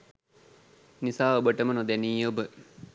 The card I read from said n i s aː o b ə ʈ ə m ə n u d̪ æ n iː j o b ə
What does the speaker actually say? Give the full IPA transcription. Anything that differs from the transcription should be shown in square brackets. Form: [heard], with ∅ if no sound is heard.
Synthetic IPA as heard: n i s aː o b ə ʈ ə m ə n [o] d̪ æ n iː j o b ə